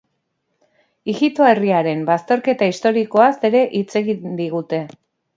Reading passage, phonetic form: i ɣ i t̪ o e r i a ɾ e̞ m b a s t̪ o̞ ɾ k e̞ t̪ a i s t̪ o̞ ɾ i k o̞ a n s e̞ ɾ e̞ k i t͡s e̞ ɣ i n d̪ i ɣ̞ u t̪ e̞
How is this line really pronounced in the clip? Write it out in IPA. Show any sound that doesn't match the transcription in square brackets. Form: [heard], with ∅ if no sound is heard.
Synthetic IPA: i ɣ i t̪ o e r i a ɾ e̞ m b a s t̪ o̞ ɾ k e̞ t̪ a i s t̪ o̞ ɾ i k o̞ a [∅] s e̞ ɾ e̞ [ʔ] i t͡s e̞ ɣ i n d̪ i ɣ̞ u t̪ e̞